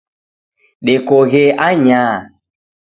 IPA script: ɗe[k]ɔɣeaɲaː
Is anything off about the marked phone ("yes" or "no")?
no